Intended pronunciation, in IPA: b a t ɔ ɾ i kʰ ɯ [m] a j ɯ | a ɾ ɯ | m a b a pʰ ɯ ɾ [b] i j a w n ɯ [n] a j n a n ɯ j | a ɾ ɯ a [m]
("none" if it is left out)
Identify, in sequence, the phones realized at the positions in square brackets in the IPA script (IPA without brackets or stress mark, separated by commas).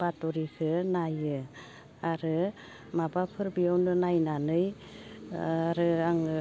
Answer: n, b, n, ŋ